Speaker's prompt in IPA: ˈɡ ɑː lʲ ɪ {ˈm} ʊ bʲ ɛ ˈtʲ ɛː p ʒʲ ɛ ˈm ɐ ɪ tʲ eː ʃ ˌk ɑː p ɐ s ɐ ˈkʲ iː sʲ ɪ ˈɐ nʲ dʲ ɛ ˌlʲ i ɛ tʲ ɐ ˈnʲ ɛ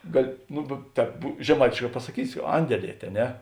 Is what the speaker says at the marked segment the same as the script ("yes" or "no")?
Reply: no